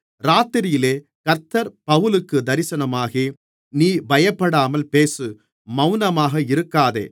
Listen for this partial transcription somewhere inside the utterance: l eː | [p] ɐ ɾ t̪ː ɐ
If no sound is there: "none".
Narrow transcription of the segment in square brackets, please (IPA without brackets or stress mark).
k